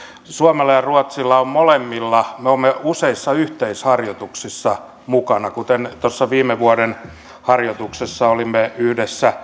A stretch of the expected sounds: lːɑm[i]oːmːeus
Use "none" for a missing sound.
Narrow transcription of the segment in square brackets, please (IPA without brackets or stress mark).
e